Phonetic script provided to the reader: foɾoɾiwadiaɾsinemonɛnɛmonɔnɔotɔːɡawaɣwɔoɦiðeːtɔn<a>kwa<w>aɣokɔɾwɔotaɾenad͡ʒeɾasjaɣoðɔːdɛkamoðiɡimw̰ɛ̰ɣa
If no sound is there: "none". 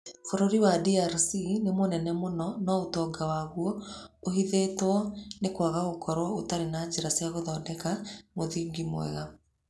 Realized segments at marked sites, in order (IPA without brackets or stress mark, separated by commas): e, ɣ